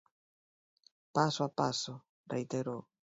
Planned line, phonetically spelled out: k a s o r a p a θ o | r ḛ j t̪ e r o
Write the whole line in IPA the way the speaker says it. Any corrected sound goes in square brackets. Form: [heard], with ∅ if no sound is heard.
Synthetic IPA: [p] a s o [∅] a p a [s] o | r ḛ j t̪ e [ɾ] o